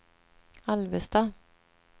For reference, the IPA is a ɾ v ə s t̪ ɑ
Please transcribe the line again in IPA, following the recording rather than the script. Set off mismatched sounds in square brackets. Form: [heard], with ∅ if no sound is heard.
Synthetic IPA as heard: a [l] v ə s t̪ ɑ